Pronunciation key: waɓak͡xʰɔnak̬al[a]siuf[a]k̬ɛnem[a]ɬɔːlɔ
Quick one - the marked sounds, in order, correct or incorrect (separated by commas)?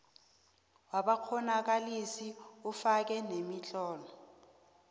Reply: incorrect, correct, incorrect